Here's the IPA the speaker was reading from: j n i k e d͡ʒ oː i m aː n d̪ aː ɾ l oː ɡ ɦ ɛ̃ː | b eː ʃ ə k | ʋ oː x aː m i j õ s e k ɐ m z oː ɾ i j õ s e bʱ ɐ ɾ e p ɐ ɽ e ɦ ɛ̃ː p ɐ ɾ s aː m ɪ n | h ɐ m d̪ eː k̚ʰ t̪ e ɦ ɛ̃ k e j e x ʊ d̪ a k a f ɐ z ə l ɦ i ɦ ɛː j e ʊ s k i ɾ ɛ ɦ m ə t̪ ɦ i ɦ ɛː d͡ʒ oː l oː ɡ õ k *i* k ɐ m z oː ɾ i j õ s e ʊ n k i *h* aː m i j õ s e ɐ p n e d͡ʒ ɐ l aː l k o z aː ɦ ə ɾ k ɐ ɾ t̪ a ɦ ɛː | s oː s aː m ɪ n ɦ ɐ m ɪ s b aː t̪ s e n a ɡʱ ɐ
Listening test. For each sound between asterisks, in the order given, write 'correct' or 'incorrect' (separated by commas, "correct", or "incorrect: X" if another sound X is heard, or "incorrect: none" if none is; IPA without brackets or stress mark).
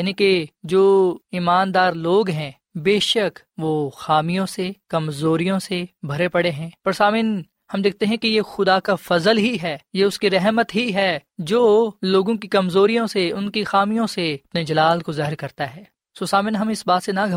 correct, incorrect: x